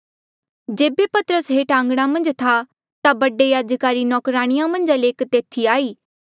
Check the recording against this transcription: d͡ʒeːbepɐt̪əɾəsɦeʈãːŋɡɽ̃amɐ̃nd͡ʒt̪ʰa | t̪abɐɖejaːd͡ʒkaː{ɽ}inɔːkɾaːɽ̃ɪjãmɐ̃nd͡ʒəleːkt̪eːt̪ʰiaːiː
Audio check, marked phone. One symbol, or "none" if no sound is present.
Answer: ɾ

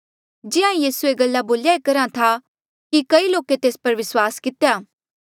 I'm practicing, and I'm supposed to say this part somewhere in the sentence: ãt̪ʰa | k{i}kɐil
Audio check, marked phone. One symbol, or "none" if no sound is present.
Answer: i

